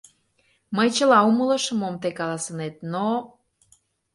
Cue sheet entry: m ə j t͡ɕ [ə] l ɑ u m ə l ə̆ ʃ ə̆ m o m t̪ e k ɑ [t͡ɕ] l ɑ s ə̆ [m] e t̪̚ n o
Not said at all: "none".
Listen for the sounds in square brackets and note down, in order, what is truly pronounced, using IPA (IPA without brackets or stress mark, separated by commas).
ə, none, n